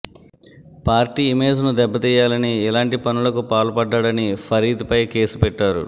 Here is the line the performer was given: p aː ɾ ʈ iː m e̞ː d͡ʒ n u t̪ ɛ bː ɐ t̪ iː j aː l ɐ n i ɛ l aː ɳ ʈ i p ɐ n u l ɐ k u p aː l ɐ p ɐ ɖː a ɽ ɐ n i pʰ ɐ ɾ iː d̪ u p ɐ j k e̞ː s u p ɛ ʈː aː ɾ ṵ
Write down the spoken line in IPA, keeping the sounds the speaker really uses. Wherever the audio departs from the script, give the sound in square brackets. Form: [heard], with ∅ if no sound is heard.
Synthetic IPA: p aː ɾ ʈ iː m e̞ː d͡ʒ n u [d̪] ɛ bː ɐ t̪ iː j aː l ɐ n i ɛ l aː ɳ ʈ i p ɐ n u l ɐ k u p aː l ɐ p ɐ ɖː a ɽ ɐ n i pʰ ɐ ɾ iː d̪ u p ɐ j k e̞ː s u p ɛ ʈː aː ɾ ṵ